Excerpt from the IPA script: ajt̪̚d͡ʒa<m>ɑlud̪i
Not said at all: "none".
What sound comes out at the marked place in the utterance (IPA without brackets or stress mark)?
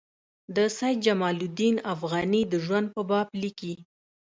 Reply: m